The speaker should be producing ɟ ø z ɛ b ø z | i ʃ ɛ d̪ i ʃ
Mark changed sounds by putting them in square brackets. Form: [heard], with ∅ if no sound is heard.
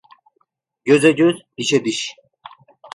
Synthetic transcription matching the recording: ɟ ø z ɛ [ɟ] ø z | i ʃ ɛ d̪ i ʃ